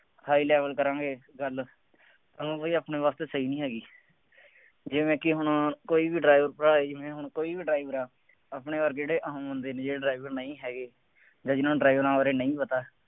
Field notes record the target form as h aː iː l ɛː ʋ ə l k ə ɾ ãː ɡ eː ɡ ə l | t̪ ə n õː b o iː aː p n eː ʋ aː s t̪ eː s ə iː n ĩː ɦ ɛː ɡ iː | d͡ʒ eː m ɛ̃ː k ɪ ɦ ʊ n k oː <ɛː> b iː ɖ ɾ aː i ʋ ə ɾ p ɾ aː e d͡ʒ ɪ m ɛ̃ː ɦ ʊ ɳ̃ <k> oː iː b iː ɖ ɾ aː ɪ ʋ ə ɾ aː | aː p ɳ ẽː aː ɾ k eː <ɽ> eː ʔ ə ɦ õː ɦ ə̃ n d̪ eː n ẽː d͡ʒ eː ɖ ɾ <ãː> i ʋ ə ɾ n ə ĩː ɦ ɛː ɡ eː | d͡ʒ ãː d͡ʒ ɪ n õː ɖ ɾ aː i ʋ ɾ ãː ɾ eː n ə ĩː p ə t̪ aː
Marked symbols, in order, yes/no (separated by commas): no, yes, yes, no